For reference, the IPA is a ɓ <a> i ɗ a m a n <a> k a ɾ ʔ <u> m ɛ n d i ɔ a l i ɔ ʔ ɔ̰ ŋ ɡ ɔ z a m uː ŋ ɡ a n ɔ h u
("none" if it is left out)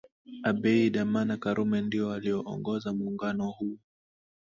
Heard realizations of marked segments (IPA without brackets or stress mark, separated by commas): ɛ, a, u